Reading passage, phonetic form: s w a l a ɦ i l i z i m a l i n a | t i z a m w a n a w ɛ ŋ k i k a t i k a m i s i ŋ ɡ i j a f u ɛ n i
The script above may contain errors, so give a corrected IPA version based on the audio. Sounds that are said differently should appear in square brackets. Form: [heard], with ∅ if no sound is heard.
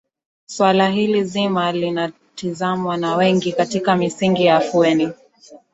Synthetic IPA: s w a l a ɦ i l i z i m a l i n a | t i z a m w a n a w ɛ ŋ [ɡ] i k a t i k a m i s i ŋ ɡ i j a f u ɛ n i